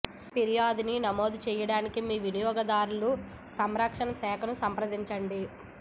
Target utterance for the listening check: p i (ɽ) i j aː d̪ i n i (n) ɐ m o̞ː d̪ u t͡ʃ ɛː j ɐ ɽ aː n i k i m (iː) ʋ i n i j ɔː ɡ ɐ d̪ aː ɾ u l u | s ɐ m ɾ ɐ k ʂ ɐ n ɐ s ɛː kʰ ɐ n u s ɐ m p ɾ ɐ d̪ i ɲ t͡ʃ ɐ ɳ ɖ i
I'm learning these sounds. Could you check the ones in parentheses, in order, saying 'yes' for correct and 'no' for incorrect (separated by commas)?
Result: no, yes, yes